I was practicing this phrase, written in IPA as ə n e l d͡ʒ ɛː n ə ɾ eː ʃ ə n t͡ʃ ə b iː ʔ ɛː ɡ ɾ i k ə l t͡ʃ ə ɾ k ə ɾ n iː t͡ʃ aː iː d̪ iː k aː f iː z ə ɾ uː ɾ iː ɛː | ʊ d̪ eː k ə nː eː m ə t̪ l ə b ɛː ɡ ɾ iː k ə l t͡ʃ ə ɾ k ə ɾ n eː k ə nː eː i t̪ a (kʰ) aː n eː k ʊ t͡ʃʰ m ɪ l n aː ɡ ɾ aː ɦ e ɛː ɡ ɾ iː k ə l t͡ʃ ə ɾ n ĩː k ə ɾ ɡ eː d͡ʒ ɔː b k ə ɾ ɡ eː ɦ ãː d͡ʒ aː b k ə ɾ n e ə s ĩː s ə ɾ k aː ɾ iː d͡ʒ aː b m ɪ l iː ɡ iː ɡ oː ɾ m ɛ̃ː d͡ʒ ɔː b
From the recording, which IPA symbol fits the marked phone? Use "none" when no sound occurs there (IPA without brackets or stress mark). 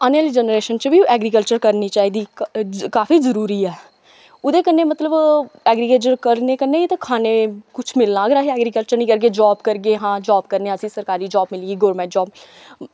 kʰ